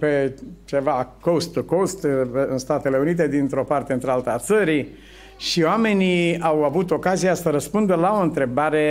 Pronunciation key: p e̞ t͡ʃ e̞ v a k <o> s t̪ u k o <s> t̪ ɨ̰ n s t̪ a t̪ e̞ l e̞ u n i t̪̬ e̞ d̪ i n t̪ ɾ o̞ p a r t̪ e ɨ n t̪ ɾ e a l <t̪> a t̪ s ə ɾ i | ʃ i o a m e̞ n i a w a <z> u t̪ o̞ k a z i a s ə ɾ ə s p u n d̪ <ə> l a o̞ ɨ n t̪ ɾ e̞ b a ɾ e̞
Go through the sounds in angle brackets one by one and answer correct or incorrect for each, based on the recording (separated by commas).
correct, correct, correct, incorrect, correct